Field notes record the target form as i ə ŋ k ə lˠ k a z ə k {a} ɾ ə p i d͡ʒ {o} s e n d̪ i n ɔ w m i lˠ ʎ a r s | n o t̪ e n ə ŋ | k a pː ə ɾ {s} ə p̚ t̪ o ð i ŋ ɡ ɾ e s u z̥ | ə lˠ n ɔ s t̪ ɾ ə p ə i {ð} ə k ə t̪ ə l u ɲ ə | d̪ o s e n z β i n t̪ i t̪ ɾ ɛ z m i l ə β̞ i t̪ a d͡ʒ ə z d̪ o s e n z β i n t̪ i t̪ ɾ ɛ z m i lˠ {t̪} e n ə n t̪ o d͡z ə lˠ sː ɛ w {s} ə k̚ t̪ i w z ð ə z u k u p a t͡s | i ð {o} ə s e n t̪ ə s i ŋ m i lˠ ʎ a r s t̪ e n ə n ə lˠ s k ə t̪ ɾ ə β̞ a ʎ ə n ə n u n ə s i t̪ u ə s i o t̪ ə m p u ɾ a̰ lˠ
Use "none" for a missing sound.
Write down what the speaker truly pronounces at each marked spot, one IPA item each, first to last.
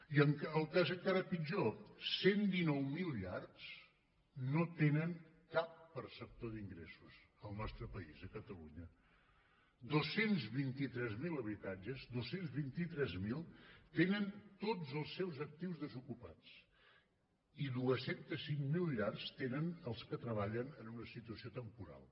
a, o, s, z, t̪, z, u

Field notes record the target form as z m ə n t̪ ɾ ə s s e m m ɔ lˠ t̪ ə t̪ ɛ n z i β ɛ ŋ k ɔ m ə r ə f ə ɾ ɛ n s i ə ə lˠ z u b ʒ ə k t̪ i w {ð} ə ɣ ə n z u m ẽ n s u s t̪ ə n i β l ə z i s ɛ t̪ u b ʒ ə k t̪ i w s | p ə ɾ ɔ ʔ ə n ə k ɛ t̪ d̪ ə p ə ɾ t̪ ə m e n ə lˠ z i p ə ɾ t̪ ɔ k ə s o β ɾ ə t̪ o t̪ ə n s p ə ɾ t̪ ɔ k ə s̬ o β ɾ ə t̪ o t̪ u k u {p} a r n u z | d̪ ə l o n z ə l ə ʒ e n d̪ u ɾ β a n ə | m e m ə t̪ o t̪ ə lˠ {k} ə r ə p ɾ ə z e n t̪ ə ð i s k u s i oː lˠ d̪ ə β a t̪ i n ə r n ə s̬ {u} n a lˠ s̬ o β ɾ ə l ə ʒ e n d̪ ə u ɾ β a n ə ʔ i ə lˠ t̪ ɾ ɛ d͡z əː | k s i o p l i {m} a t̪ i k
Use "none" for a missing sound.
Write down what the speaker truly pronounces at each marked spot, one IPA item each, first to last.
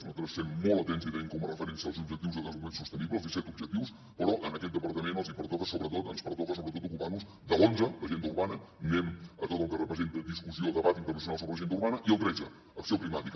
z, p, k, u, m

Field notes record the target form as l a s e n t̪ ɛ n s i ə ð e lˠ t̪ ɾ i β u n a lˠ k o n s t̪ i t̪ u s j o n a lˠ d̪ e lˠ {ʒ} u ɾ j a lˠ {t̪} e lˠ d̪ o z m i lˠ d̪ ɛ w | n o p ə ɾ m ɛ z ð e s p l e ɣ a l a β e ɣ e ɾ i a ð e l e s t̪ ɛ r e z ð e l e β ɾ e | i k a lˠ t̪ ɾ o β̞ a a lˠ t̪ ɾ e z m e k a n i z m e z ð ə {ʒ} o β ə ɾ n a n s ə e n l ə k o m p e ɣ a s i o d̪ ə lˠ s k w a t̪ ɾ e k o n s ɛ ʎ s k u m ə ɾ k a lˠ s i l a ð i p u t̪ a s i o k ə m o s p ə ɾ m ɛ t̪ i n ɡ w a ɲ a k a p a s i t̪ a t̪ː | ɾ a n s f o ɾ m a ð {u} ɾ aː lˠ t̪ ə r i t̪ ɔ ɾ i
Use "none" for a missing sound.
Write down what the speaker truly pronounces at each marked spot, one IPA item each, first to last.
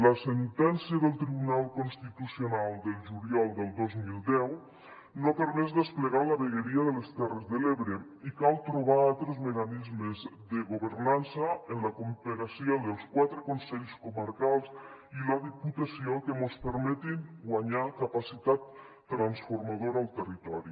ʒ, d̪, ɣ, o

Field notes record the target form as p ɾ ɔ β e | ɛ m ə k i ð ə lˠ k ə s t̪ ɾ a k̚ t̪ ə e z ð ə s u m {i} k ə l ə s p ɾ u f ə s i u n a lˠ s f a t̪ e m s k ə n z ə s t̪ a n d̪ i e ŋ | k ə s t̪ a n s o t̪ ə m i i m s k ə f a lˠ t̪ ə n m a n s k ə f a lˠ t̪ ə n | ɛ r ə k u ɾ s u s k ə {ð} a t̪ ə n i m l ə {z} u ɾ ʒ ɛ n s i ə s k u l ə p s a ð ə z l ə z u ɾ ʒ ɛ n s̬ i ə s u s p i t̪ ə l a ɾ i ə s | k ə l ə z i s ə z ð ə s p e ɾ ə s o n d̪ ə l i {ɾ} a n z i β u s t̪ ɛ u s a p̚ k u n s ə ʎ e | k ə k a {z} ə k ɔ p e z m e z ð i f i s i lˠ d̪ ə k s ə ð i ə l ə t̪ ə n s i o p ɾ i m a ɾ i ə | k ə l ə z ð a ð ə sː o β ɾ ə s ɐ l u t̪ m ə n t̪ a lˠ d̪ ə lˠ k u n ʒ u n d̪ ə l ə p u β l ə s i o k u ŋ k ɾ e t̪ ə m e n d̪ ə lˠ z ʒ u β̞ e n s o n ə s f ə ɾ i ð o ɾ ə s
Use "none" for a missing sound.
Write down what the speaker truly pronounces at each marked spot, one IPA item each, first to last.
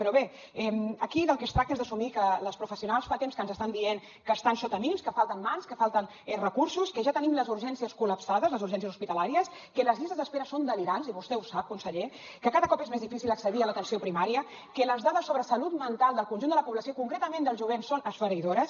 i, ʒ, z, ɾ, ð

